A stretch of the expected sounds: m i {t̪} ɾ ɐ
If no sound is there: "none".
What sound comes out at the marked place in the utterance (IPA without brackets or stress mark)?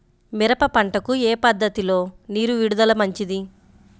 none